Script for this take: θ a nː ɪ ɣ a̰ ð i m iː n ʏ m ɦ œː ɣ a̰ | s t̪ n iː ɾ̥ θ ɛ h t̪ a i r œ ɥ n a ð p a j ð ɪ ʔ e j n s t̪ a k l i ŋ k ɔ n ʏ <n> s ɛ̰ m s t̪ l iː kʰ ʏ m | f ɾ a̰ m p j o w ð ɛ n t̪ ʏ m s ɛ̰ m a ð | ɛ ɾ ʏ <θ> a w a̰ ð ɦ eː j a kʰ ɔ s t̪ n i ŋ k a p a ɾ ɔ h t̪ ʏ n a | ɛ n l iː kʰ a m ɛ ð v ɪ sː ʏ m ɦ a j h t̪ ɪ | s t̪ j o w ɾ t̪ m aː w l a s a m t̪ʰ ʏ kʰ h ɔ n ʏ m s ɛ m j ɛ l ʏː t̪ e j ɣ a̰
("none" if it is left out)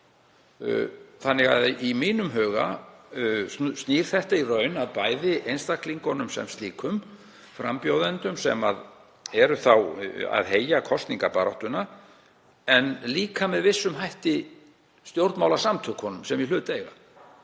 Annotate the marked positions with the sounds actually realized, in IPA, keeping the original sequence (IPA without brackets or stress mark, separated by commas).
m, θ